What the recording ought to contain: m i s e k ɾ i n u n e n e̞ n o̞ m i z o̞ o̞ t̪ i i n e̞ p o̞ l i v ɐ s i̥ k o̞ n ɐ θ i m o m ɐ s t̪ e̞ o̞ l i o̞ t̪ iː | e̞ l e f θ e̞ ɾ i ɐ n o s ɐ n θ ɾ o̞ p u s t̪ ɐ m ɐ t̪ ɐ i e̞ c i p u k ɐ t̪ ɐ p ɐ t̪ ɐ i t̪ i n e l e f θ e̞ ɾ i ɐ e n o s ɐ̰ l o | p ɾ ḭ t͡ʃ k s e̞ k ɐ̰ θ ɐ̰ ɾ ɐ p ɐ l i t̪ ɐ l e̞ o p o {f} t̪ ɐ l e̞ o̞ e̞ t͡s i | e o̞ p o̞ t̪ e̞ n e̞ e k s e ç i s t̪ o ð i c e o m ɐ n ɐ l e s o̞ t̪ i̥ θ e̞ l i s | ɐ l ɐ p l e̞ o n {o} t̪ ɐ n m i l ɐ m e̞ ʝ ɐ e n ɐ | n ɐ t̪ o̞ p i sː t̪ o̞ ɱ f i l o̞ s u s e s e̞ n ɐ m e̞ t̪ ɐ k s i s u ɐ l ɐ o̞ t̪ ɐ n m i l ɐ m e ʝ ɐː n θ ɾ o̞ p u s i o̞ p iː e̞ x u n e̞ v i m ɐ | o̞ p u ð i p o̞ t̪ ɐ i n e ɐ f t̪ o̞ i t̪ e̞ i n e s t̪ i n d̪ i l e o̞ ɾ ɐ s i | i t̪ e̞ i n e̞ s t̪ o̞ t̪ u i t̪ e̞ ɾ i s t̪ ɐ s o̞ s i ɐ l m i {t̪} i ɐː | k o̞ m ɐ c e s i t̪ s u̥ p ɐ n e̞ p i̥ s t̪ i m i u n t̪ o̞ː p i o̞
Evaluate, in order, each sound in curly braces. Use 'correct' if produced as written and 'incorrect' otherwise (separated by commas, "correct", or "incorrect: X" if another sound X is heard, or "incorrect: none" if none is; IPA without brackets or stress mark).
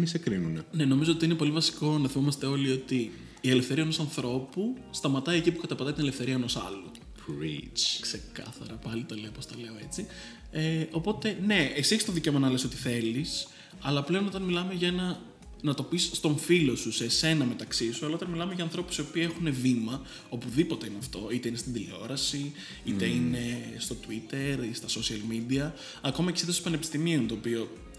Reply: incorrect: s, correct, incorrect: d̪